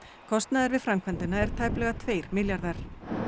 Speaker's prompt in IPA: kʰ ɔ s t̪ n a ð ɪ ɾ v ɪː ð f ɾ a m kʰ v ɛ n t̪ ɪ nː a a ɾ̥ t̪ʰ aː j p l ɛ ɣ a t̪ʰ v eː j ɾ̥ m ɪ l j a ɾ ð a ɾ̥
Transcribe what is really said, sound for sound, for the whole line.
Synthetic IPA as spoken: kʰ ɔ s t̪ n a ð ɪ ɾ v ɪ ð f ɾ a m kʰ v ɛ n t̪ ɪ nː a ɛ ɾ̥ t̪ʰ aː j p l ɛ ɣ a t̪ʰ v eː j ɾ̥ m ɪ l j a ɾ ð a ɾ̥

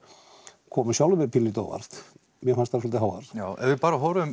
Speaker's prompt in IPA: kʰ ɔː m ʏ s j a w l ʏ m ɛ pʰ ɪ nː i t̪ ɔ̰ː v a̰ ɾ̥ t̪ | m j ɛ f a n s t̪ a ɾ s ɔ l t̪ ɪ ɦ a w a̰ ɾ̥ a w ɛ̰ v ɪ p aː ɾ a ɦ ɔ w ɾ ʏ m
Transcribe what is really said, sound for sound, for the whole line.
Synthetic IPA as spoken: kʰ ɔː m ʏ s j a w l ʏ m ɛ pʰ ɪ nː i t̪ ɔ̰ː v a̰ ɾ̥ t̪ | m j ɛ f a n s t̪ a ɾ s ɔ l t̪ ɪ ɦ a w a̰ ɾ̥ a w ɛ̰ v ɪ p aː ɾ a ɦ ɔ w ɾ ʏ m

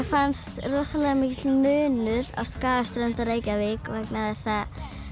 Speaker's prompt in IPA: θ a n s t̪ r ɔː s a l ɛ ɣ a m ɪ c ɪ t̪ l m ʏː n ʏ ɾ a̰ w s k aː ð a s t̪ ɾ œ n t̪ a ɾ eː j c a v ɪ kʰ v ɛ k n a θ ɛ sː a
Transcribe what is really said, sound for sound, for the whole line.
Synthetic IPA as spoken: f a n s t̪ r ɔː s a l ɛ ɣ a m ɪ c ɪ t̪ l m ʏː n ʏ ɾ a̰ w s k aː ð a s t̪ ɾ œ n t̪ a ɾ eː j c a v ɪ k v ɛ k n a θ ɛ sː a

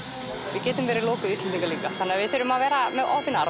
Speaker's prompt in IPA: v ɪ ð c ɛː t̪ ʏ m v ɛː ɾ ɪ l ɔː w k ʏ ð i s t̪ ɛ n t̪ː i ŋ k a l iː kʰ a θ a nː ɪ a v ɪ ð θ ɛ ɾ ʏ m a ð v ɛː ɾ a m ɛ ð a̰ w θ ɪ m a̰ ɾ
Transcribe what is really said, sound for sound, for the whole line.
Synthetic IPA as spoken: v ɪ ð c ɛː t̪ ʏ m v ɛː ɾ ɪ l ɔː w k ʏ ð i s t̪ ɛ n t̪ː i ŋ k a l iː k a θ a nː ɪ a v ɪ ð θ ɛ ɾ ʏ m a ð v ɛː ɾ a m ɛ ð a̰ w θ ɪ n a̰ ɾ

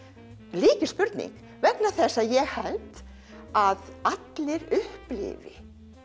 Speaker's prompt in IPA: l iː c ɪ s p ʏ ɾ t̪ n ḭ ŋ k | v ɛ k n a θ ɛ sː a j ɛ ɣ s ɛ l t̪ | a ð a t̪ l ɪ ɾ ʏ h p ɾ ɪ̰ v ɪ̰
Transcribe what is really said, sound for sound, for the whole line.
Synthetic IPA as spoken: l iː c ɪ s p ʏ ɾ t̪ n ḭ ŋ k | v ɛ k n a θ ɛ sː a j ɛ ɣ h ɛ l t̪ | a ð a t̪ l ɪ ɾ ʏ h p l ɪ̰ v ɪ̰

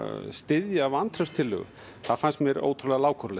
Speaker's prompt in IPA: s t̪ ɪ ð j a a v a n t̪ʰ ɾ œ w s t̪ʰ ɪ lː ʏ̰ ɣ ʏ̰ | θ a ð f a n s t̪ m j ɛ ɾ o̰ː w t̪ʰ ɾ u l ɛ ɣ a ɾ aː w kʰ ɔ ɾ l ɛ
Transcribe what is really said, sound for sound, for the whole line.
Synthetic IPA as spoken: s t̪ ɪ ð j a a v a n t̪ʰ ɾ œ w s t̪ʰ ɪ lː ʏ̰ ɣ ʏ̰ | θ a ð f a n s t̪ m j ɛ ɾ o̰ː w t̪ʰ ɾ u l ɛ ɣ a l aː w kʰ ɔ ɾ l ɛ

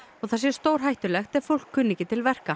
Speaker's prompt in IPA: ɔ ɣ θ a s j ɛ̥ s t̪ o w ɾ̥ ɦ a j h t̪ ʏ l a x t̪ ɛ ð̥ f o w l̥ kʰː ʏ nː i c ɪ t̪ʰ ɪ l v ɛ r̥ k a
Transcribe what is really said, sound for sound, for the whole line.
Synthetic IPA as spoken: ɔ ɣ θ a s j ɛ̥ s t̪ o w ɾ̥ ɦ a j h t̪ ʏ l ɛ x t̪ ɛ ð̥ f o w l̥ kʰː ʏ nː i c ɪ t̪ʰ ɪ l v ɛ r̥ k a

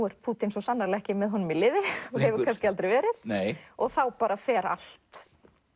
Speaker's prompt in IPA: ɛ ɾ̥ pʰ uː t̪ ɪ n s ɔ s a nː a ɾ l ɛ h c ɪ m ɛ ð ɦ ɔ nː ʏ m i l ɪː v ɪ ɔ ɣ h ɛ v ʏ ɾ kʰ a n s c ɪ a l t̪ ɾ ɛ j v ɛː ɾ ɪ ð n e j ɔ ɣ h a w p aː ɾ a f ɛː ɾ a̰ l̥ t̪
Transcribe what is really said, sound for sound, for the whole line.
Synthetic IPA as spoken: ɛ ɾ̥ pʰ uː t̪ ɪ n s ɔ s a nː a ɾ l ɛ h c ɪ m ɛ ð ɦ ɔ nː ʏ m i l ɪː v ɪ ɔ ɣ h ɛ v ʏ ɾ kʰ a n s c ɪ a l t̪ ɾ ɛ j v ɛː ɾ ɪ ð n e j ɔ ɣ θ a w p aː ɾ a f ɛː ɾ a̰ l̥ t̪

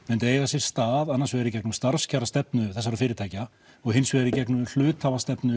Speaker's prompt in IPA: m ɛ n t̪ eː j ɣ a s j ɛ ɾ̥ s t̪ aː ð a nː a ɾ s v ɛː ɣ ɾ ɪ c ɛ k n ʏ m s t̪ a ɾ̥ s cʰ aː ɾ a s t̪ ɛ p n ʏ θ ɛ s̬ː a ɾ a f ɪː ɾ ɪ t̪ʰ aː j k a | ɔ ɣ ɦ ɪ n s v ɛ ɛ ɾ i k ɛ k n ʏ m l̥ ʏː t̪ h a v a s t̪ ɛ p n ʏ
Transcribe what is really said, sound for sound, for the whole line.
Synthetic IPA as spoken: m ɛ n t̪ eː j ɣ a s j ɛ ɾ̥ s t̪ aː ð a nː a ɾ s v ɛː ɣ ɾ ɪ c ɛ k n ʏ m s t̪ a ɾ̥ s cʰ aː ɾ a s t̪ ɛ p n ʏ θ ɛ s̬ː a ɾ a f ɪː ɾ ɪ t̪ʰ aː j c a | ɔ ɣ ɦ ɪ n s v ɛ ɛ ɾ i c ɛ k n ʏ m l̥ ʏː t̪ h a v a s t̪ ɛ p n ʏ

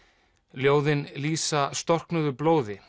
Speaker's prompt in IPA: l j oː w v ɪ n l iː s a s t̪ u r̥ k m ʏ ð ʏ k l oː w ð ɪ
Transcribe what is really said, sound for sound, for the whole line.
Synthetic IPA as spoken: l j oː w ð ɪ n l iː s a s t̪ ɔ r̥ k n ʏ ð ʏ p l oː w ð ɪ

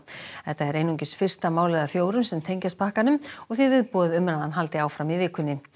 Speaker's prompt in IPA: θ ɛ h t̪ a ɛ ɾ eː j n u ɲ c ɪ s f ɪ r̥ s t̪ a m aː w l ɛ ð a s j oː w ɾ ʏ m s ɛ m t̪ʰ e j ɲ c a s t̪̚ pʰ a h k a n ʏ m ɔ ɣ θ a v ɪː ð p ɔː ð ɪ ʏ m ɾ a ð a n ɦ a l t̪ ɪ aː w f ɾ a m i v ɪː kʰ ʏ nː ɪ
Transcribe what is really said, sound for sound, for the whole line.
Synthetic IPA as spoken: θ ɛ h t̪ a ɛ ɾ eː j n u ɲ c ɪ s f ɪ r̥ s t̪ a m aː w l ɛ ð a f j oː w ɾ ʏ m s ɛ m t̪ʰ e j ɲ c a s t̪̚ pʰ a h k a n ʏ m ɔ ɣ θ i v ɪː ð p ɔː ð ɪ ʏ m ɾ a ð a n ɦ a l t̪ ɪ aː w f ɾ a m i v ɪː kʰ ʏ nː ɪ

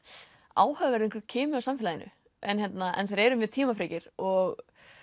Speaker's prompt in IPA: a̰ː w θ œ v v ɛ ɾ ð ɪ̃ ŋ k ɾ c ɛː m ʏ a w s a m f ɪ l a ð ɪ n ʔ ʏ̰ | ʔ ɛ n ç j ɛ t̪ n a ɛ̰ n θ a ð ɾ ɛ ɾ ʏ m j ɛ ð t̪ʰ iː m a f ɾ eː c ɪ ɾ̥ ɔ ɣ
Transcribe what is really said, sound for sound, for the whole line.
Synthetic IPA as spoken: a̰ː w h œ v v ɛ ɾ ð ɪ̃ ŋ k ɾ cʰ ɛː m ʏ a w s a m f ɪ l a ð ɪ n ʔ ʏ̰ | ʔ ɛ n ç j ɛ t̪ n a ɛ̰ n θ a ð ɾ ɛ ɾ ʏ m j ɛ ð t̪ʰ iː m a f ɾ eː c ɪ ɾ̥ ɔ ɣ

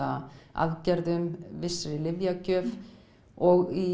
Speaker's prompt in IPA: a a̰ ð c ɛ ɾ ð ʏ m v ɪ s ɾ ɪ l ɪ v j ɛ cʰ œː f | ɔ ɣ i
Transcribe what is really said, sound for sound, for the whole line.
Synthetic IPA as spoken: a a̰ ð c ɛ ɾ ð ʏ m v ɪ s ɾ ɪ l ɪ v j a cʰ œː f | ɔ ɣ i

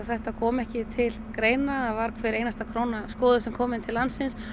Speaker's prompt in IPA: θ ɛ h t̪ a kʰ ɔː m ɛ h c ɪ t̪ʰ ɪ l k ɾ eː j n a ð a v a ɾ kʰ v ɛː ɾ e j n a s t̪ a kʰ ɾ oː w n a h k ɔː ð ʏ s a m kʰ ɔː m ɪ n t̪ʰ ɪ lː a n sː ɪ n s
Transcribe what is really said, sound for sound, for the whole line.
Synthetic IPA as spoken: θ ɛ h t̪ a kʰ ɔː m ɛ h c ɪ t̪ʰ ɪ l k ɾ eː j n a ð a v a ɾ kʰ v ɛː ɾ e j n a s t̪ a kʰ ɾ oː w n a s k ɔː ð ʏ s ɛ m kʰ ɔː m ɪ n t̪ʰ ɪ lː a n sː ɪ n s

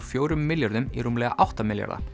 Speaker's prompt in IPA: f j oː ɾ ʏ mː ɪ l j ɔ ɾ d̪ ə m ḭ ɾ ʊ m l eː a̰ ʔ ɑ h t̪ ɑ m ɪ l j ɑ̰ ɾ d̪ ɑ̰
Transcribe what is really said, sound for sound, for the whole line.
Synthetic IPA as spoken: f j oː ɾ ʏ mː ɪ l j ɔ ɾ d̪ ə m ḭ ɾ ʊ m l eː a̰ ʔ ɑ h t̪ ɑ m ɪ l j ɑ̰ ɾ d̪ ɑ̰

